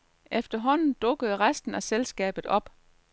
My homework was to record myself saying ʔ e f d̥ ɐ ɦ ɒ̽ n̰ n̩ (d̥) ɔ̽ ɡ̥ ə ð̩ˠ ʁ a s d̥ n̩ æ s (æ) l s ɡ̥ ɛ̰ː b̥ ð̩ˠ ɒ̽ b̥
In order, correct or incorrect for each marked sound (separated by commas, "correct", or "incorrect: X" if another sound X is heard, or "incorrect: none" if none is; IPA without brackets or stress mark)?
correct, incorrect: e